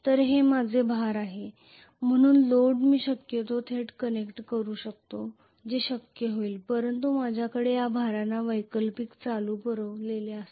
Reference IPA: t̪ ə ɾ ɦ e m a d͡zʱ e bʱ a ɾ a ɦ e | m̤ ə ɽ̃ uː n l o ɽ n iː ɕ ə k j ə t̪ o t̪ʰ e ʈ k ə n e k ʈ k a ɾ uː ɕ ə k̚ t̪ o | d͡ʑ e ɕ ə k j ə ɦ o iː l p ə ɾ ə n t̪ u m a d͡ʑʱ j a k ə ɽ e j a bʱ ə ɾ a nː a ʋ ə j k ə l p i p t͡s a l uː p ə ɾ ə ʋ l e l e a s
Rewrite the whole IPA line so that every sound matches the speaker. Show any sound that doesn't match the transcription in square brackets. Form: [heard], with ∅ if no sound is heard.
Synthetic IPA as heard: t̪ ə ɾ ɦ e m a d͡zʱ e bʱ a ɾ a ɦ e | m̤ ə ɽ̃ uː n l o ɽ [m] iː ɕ ə k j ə t̪ o t̪ʰ e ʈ k ə n e k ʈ k [ə] ɾ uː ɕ ə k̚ t̪ o | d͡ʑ e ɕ ə k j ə ɦ o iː l p ə ɾ ə n t̪ u m a d͡ʑʱ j a k ə ɽ e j a bʱ [a] ɾ a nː a ʋ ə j k ə l p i [k] t͡s a l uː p ə ɾ ə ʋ l e l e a s